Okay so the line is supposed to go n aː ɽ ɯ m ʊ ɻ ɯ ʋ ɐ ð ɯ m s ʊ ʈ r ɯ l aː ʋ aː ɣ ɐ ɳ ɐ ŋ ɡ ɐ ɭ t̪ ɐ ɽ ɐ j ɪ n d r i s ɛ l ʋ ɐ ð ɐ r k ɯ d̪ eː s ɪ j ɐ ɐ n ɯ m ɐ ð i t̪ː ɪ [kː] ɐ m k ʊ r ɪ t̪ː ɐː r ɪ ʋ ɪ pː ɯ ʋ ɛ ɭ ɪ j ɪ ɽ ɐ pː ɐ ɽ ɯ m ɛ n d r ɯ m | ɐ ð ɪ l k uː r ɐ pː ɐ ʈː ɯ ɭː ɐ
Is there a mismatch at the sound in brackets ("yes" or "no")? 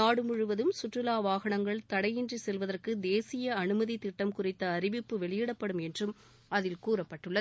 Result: yes